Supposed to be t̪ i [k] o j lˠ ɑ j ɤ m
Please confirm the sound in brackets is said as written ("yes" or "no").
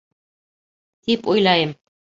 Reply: no